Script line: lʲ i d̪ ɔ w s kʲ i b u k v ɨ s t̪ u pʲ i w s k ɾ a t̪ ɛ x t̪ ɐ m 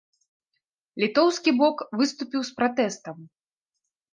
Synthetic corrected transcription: lʲ i t̪ ɔ w s kʲ i b ɔ k v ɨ s t̪ u pʲ i w s p ɾ a t̪ ɛ s t̪ ɐ m